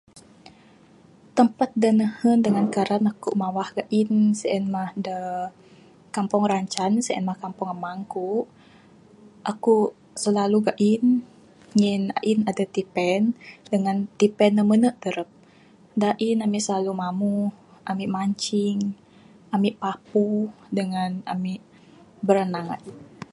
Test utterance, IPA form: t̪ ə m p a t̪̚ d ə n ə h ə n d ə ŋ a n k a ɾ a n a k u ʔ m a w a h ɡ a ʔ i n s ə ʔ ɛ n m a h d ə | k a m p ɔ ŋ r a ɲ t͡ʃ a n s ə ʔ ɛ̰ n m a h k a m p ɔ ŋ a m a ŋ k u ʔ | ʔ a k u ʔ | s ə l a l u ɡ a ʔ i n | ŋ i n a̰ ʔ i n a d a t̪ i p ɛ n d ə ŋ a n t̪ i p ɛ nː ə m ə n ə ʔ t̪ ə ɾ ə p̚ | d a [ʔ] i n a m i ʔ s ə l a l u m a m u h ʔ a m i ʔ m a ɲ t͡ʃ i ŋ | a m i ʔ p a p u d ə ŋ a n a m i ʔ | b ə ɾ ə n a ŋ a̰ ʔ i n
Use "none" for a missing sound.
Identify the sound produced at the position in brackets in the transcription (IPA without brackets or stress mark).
ʔ